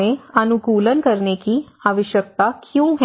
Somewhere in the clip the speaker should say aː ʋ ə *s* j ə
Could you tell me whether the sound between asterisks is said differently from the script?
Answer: yes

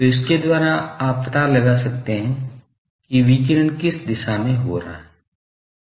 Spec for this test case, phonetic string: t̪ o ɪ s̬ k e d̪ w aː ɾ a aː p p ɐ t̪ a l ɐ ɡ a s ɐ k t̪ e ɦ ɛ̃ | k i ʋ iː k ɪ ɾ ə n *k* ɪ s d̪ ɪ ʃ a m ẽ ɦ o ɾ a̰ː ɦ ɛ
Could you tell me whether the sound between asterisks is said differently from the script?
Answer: no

